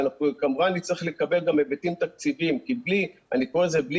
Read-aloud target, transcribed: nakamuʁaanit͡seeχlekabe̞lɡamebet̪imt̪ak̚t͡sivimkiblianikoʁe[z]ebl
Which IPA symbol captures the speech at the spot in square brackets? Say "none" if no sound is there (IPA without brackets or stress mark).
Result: z